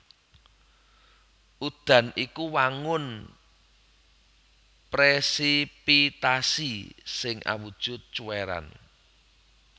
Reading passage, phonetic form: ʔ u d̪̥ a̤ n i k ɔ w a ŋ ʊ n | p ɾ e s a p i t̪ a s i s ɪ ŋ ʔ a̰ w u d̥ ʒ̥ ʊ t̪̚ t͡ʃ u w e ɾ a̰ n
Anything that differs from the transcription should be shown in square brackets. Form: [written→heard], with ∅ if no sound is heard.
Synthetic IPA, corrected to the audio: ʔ u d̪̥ a̤ n i k [ɔ→u] w a ŋ ʊ n | p ɾ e s [a→i] p i t̪ a s i s ɪ ŋ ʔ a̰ w u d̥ ʒ̥ ʊ t̪̚ t͡ʃ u w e ɾ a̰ n

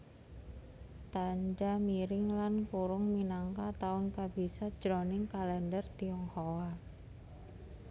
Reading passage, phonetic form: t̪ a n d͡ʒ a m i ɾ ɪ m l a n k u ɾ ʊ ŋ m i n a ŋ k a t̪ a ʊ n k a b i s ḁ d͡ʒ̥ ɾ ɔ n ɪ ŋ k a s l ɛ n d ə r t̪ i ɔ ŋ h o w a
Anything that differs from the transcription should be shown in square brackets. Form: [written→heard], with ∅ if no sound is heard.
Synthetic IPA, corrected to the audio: t̪ a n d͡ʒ a m i ɾ ɪ [m→ŋ] l a n k u ɾ ʊ ŋ m i n a ŋ k a t̪ a ʊ n k a b i s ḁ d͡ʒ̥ ɾ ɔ n ɪ ŋ k a [s→∅] l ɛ n d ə r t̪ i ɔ ŋ h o w a

